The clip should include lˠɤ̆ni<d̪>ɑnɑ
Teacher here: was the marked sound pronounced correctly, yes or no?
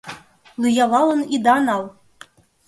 yes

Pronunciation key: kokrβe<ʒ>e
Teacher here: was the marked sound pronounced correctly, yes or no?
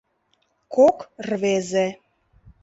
no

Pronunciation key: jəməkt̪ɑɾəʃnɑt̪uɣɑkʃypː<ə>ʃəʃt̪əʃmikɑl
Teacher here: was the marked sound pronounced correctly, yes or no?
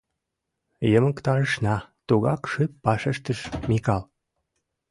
no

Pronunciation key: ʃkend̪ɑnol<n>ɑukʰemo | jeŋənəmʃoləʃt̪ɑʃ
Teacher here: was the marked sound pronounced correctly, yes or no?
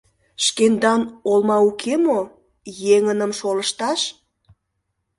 no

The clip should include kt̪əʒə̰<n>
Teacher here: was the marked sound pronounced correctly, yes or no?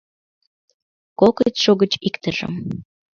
no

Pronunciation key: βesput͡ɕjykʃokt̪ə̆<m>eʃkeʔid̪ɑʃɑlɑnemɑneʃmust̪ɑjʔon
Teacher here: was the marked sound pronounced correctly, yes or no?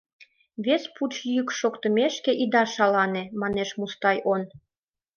yes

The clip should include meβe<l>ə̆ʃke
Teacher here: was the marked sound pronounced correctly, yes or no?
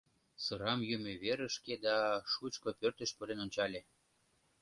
no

